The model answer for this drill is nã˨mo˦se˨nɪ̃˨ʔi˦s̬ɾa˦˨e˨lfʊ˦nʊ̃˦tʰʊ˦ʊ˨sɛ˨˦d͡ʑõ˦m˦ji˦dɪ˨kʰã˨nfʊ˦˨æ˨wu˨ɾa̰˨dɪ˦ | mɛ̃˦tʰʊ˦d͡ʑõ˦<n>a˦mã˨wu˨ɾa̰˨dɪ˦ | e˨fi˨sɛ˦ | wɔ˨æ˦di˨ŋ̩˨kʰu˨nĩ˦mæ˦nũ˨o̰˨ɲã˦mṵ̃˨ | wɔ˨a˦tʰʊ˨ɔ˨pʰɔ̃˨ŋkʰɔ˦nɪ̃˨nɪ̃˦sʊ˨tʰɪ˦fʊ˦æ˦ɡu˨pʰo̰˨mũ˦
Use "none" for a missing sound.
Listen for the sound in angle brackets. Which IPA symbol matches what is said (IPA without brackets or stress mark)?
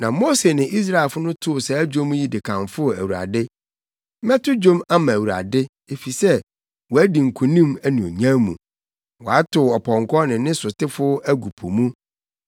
m